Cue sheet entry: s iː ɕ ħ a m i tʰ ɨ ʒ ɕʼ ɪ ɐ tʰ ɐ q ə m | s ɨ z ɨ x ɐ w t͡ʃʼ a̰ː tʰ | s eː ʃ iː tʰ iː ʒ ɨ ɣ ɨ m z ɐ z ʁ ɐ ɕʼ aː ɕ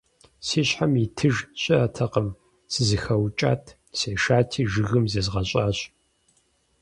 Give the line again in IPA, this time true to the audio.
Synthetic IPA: s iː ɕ ħ a m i tʰ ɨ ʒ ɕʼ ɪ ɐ tʰ ɐ q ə m | s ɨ z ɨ x ɐ w t͡ʃʼ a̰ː tʰ | s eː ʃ aː tʰ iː ʒ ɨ ɣ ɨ m z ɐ z ʁ ɐ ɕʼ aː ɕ